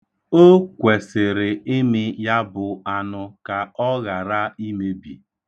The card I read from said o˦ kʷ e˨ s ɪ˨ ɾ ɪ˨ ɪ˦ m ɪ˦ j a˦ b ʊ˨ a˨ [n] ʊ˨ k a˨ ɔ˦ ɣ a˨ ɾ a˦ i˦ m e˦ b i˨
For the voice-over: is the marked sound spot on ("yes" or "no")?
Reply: yes